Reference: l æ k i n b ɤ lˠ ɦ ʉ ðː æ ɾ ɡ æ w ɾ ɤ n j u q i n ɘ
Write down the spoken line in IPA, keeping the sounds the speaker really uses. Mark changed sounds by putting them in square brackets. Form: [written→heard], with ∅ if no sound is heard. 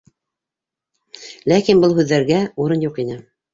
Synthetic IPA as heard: l æ k i n b ɤ lˠ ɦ ʉ ðː æ ɾ ɡ æ [w→u] ɾ ɤ n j u q i n ɘ